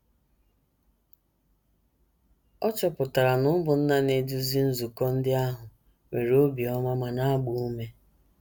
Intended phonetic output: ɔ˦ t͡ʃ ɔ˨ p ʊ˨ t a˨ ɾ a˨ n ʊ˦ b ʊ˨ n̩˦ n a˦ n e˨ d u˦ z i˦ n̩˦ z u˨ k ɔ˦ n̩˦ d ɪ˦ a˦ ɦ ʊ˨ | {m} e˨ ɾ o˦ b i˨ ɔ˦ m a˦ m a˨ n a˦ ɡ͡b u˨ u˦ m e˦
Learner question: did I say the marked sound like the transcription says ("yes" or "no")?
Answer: yes